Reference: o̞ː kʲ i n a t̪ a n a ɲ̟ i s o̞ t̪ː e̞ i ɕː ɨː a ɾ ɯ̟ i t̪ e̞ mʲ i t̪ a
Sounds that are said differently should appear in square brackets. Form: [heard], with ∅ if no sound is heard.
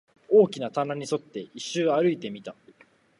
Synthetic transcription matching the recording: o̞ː kʲ i n a t̪ a n a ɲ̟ i s o̞ t̪ː e̞ i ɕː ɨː a ɾ ɯ̟ i t̪ e̞ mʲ i t̪ a